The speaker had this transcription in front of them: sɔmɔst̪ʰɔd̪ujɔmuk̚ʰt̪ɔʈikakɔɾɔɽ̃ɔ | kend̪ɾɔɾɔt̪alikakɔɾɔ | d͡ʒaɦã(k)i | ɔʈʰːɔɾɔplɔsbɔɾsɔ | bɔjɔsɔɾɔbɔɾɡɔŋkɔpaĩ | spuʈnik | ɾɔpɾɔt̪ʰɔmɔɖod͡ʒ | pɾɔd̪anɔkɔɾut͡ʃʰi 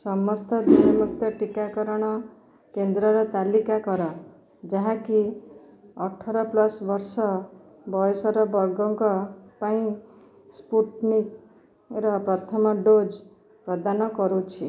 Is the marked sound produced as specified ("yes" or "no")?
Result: yes